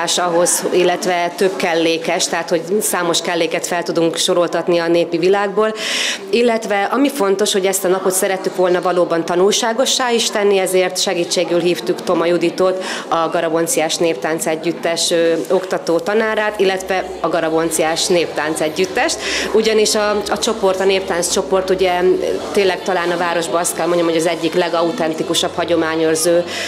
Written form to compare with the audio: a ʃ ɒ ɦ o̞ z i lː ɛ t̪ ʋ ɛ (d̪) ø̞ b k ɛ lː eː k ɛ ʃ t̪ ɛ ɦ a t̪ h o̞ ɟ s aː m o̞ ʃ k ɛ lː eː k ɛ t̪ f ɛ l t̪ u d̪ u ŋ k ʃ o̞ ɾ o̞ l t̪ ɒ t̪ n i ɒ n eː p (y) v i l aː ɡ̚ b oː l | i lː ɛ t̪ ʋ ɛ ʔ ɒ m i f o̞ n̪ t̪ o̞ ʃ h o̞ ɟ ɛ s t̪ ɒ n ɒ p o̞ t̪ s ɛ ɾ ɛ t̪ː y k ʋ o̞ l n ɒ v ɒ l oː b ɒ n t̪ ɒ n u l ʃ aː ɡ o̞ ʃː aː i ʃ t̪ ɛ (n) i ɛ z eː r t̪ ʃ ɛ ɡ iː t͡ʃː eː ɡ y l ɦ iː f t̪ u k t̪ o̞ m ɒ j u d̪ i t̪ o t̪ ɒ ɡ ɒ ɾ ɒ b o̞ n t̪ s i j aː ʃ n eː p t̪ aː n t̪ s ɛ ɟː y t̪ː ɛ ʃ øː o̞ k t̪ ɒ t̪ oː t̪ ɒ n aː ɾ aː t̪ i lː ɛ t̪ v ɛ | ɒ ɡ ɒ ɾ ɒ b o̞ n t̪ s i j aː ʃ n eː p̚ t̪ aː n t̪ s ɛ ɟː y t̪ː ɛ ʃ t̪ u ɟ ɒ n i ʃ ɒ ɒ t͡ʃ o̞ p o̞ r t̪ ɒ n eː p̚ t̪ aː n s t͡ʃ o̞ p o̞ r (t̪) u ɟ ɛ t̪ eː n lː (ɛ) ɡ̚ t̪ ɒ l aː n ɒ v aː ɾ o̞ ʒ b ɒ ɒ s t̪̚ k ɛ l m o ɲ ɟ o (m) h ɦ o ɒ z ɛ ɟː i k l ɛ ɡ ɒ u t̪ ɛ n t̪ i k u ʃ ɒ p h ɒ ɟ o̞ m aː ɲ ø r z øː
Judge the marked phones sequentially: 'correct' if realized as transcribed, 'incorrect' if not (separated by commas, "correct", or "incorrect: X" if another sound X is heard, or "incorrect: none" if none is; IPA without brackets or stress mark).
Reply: incorrect: t̪, incorrect: i, incorrect: nː, correct, correct, correct